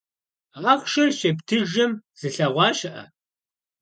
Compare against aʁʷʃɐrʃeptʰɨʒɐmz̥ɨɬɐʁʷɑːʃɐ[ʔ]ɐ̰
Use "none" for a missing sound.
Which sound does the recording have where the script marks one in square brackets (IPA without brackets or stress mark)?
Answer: ʔ